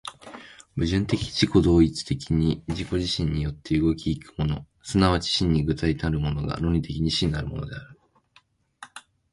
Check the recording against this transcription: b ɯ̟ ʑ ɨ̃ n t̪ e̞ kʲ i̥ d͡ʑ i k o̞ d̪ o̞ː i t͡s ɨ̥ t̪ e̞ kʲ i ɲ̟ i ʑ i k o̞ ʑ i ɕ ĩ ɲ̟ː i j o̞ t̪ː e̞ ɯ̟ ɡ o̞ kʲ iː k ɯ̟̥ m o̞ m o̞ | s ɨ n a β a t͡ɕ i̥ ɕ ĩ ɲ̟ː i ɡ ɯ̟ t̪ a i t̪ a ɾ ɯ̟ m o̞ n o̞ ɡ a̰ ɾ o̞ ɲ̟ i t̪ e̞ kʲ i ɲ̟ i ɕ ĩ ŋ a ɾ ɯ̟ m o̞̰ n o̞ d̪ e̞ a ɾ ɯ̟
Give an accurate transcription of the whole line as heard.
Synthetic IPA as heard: b ɯ̟ ʑ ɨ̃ n t̪ e̞ kʲ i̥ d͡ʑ i k o̞ d̪ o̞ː i t͡s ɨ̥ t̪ e̞ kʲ i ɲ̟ i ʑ i k o̞ ʑ i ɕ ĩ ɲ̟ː i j o̞ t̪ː e̞ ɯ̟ ɡ o̞ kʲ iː k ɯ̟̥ m o̞ n o̞ | s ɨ n a β a t͡ɕ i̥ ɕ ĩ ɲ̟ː i ɡ ɯ̟ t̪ a i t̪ a ɾ ɯ̟ m o̞ n o̞ ɡ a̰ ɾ o̞ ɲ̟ i t̪ e̞ kʲ i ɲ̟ i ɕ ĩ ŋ a ɾ ɯ̟ m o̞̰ n o̞ d̪ e̞ a ɾ ɯ̟